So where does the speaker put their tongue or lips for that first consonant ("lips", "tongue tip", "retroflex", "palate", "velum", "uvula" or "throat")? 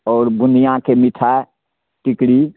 tongue tip